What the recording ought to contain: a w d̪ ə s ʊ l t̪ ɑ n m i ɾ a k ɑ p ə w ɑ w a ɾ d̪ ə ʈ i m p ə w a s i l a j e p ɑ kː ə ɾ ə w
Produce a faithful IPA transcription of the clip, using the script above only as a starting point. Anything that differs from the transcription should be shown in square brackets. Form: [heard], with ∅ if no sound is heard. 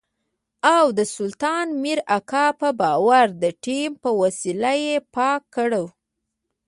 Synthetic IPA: a w d̪ ə s ʊ l t̪ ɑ n m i ɾ a k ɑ p ə [b] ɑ w a ɾ d̪ ə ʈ i m p ə w a s i l a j e p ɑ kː ə [ɽ] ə w